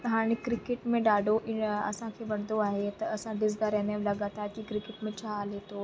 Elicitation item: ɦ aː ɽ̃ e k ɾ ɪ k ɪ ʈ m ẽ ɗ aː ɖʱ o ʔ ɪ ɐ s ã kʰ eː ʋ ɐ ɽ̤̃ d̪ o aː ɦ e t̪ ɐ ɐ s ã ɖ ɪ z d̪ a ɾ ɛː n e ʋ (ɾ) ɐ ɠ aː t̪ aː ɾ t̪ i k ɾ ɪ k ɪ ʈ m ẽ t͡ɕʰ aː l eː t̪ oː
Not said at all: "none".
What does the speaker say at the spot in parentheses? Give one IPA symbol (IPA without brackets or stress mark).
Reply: l